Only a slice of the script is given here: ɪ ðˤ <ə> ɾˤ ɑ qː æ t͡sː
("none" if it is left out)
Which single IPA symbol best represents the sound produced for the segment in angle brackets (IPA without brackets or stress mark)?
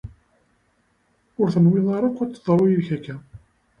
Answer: ɑ